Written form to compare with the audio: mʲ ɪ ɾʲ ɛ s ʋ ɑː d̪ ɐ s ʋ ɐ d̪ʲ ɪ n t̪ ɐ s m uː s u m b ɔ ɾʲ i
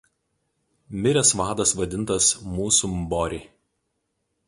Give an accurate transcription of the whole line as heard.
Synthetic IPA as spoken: mʲ ɪ ɾʲ ɛ s ʋ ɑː d̪ ɐ s ʋ ɐ d̪ʲ ɪ n t̪ ɐ s m uː s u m b ɔ ɾʲ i